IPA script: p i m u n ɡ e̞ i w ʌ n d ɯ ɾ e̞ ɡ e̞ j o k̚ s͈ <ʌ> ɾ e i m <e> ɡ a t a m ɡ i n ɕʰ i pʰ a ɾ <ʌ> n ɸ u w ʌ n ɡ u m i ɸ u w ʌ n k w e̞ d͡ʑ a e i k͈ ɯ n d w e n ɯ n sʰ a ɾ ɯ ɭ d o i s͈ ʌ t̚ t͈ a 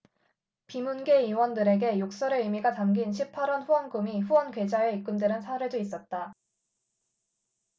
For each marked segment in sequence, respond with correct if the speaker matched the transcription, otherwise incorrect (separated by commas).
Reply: correct, incorrect, correct